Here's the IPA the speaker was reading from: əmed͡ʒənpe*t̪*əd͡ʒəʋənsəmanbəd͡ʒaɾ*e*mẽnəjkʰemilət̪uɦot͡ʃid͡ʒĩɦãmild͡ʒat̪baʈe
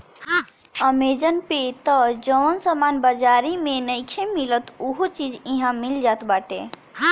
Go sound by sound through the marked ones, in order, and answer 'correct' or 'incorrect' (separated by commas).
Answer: correct, incorrect